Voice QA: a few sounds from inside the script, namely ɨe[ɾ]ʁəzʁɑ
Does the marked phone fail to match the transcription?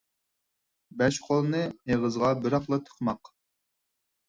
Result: yes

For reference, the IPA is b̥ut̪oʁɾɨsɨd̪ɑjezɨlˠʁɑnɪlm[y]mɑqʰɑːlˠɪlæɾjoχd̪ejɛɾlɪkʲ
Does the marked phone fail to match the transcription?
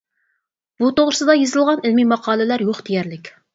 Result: yes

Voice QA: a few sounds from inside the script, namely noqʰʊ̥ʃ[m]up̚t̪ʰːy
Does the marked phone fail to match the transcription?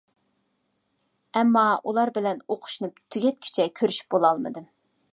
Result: yes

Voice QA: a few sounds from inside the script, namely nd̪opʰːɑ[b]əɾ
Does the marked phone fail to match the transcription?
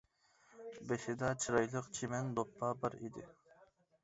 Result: no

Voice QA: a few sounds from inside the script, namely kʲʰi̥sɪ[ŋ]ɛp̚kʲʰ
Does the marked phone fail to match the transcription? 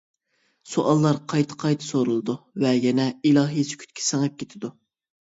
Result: no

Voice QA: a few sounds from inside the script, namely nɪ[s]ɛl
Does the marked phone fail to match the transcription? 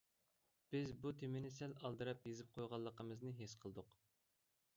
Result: no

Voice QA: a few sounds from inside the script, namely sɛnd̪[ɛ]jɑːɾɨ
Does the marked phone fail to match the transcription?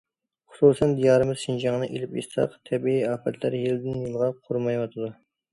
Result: yes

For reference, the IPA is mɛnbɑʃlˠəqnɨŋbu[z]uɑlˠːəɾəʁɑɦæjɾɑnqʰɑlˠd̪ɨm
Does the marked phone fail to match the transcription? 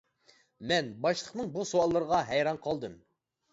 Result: yes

